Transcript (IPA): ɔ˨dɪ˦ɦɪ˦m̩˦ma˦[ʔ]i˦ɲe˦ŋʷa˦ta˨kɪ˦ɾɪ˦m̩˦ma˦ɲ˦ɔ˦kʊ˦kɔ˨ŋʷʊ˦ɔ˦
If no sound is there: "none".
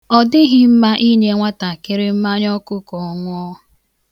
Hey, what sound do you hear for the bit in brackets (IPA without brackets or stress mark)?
ʔ